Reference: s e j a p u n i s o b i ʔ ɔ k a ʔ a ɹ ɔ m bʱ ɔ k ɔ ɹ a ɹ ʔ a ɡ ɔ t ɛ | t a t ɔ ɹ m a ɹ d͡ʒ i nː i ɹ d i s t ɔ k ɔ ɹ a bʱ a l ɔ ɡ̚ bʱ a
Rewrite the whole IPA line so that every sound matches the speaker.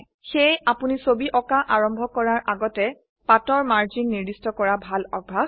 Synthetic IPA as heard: x e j a p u n i s o b i ʔ ɔ k a ʔ a ɹ ɔ m bʱ ɔ k ɔ ɹ a ɹ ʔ a ɡ ɔ t ɛ | p a t ɔ ɹ m a ɹ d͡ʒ i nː i ɹ d i s t ɔ k ɔ ɹ a bʱ a l ɔ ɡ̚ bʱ a